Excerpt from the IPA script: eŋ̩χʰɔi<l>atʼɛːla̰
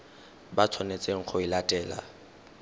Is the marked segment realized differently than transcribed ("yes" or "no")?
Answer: no